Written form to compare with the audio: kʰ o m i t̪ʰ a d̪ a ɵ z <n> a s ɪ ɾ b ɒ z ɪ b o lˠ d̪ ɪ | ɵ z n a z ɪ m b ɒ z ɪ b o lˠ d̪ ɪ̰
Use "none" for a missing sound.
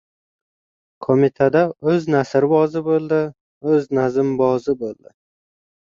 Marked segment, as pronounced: n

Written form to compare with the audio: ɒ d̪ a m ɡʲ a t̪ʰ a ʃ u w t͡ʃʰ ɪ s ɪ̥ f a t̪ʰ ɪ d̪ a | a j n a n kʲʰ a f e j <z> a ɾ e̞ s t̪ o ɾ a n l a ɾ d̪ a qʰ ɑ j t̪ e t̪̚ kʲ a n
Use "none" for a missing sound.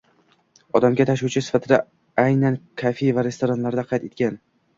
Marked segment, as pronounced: v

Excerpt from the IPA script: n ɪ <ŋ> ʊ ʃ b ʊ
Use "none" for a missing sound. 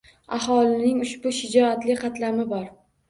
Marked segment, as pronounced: ŋ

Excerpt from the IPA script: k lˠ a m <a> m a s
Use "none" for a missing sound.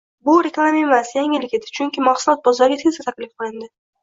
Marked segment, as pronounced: e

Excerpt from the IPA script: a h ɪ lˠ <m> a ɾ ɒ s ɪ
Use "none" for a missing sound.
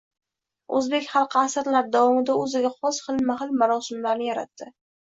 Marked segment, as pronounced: m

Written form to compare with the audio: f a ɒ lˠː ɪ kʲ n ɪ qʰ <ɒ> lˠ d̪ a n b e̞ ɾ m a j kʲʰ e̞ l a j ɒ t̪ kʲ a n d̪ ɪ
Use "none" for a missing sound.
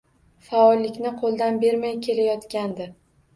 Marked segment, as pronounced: o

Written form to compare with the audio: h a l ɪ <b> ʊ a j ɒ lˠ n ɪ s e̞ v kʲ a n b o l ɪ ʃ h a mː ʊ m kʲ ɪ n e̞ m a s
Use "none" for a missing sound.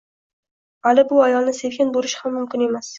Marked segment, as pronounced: b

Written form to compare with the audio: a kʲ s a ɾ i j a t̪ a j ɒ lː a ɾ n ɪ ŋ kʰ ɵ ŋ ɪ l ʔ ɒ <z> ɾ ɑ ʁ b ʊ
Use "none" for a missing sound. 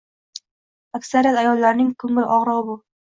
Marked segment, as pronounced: ʁ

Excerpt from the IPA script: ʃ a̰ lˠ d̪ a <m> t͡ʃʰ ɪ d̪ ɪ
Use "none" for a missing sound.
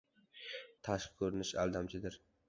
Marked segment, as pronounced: m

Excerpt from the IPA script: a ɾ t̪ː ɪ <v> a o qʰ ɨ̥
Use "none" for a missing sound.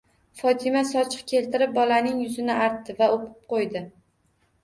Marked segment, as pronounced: v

